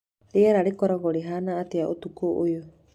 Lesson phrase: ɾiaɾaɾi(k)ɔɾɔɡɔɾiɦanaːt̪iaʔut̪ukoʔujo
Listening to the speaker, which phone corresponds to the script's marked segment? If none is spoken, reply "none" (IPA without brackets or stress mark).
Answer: k